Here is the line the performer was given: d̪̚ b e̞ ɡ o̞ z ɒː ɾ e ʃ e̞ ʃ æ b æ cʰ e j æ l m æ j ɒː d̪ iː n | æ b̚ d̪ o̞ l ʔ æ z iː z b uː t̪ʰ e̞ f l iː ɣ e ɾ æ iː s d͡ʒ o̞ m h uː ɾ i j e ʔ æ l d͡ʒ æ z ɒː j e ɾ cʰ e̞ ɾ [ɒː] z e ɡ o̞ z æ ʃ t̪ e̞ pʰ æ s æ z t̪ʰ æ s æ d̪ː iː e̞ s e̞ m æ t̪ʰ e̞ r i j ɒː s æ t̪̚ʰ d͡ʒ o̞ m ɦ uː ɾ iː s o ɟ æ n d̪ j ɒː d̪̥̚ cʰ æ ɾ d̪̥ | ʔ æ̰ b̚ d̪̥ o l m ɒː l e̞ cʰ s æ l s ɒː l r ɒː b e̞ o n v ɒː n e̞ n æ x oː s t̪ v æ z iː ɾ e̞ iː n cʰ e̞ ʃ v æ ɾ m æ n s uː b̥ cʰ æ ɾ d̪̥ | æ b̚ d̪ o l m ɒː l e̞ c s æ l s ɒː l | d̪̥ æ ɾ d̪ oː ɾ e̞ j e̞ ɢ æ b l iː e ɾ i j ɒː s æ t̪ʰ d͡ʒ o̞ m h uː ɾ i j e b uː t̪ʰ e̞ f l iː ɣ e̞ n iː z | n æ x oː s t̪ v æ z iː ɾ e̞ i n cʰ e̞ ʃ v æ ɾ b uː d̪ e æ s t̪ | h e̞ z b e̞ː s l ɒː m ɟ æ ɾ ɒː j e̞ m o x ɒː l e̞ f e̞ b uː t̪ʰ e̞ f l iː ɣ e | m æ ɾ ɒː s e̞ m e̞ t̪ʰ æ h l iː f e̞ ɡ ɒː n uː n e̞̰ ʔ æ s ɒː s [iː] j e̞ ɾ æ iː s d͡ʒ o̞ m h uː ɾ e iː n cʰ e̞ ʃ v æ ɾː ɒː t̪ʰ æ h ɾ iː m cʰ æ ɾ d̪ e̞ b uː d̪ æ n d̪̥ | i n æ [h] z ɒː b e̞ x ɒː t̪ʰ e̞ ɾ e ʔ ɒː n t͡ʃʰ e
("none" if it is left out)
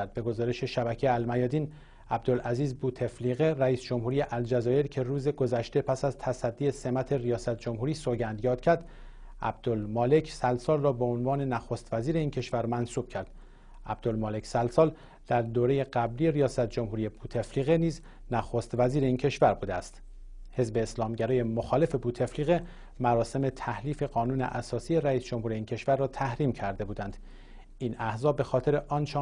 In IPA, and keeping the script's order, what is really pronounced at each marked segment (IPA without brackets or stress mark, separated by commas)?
uː, i, h